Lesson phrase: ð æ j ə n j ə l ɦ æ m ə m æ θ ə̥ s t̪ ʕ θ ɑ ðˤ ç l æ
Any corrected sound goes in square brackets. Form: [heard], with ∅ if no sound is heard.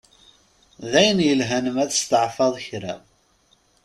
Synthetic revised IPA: ð æ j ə n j ə l ɦ æ [n] ə m æ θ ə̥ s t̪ ʕ [f] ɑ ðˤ ç [ɾ] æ